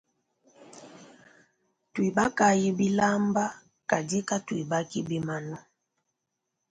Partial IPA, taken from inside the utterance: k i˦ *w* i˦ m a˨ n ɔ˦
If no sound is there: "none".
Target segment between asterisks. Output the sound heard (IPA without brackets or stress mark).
b